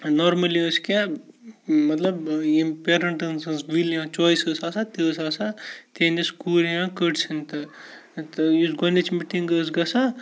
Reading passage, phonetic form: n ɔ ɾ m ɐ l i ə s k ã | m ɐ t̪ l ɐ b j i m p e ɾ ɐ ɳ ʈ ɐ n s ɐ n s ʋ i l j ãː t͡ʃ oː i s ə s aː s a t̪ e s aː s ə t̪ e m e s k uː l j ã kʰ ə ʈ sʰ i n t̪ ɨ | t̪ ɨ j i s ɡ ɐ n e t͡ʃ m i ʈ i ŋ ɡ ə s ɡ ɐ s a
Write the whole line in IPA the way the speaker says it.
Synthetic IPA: n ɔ ɾ m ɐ l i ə s k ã | m ɐ t̪ l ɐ b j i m p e ɾ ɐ ɳ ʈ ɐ n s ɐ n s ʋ i l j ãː t͡ʃ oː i s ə s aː s a t̪ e s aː s a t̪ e n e s k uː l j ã k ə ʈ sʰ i n t̪ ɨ | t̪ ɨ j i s ɡ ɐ n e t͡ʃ m i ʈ i ŋ ɡ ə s ɡ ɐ s a